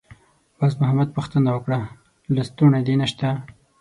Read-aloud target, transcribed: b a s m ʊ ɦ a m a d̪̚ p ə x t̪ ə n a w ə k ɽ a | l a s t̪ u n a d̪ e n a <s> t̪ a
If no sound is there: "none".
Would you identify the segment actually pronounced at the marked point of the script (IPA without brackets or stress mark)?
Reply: ʃ